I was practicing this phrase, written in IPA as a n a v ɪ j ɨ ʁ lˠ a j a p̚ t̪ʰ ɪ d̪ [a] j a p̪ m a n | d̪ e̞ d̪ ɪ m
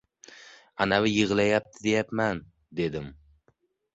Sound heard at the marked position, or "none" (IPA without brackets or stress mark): e